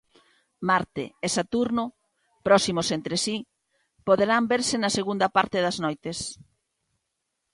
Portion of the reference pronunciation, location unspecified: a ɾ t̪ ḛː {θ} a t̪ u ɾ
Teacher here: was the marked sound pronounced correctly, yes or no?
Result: no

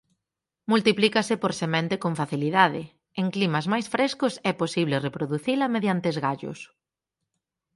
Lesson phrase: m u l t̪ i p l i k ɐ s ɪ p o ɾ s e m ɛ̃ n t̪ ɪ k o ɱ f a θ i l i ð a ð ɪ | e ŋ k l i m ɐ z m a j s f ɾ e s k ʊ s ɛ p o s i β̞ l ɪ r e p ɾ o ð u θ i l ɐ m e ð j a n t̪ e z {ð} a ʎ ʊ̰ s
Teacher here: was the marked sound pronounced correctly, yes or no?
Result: no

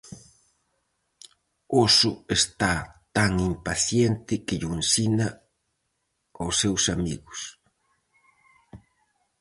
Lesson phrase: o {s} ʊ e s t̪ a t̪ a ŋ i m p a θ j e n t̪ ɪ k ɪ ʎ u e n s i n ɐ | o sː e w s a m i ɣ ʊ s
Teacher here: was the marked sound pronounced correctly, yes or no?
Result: yes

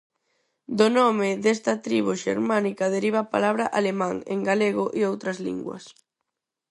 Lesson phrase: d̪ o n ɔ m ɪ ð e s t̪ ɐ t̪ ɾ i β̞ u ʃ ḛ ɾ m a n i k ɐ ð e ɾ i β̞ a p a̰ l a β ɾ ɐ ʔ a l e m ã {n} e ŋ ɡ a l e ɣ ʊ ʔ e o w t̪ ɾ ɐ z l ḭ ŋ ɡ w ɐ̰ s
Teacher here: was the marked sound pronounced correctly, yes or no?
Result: no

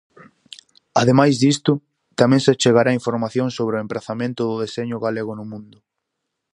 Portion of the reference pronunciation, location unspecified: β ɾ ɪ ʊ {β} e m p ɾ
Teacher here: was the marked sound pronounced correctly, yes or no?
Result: no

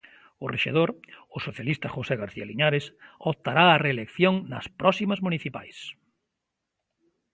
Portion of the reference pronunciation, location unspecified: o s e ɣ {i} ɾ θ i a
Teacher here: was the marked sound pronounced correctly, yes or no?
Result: no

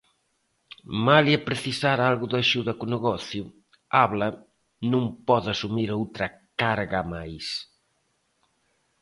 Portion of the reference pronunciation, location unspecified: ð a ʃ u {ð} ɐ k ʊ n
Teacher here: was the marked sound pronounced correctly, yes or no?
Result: yes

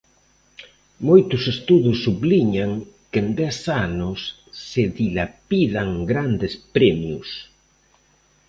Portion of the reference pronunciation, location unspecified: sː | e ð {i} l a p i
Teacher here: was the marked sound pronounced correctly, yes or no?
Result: yes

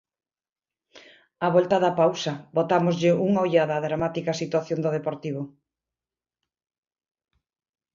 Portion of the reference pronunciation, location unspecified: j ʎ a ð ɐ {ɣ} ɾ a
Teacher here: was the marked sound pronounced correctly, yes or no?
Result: no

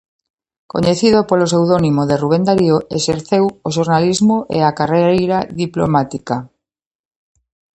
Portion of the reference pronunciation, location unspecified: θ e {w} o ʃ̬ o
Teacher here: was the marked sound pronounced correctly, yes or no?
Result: yes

